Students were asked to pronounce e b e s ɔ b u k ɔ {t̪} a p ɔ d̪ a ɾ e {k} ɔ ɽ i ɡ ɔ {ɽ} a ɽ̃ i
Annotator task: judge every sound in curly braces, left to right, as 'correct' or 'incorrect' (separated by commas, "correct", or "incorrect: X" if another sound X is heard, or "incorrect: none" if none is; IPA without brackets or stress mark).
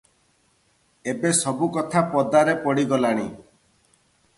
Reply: incorrect: t̪ʰ, incorrect: p, incorrect: l